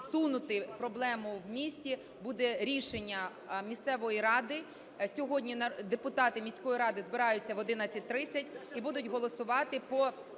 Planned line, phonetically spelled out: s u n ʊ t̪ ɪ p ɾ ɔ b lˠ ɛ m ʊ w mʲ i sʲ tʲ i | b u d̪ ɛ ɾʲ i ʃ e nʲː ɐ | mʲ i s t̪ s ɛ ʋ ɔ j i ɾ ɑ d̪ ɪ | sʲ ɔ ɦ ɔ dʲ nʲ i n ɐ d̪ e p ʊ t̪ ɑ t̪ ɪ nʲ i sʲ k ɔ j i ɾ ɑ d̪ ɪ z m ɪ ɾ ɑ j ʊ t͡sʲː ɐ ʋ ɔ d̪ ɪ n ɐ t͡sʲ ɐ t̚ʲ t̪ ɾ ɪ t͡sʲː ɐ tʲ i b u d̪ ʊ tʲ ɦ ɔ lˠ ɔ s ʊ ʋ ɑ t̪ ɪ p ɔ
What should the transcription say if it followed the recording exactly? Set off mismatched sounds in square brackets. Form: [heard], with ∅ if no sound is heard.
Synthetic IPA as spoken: s u n ʊ t̪ ɪ p ɾ ɔ b lˠ ɛ m ʊ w mʲ i sʲ tʲ i | b u d̪ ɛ ɾʲ i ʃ e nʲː ɐ | mʲ i s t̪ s ɛ ʋ ɔ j i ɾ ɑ d̪ ɪ | sʲ ɔ ɦ ɔ dʲ nʲ i n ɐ d̪ e p ʊ t̪ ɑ t̪ ɪ [mʲ] i sʲ k ɔ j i ɾ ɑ d̪ ɪ z [b] ɪ ɾ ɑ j ʊ t͡sʲː ɐ ʋ ɔ d̪ ɪ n ɐ t͡sʲ ɐ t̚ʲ t̪ ɾ ɪ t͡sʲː ɐ tʲ i b u d̪ ʊ tʲ ɦ ɔ lˠ ɔ s ʊ ʋ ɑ t̪ ɪ p ɔ